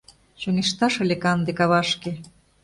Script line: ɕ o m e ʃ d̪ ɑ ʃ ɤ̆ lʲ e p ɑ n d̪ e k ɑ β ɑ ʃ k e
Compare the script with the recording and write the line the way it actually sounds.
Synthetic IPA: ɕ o ŋ e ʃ t̪ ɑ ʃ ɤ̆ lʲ e k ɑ n d̪ e k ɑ β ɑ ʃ k e